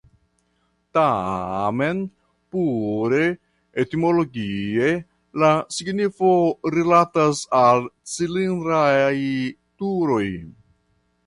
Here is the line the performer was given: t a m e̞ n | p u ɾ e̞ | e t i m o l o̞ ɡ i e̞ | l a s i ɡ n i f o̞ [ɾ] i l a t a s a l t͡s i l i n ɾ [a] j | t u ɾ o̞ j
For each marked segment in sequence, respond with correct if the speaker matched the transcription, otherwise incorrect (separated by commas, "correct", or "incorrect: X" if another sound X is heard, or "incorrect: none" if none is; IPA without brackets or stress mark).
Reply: correct, correct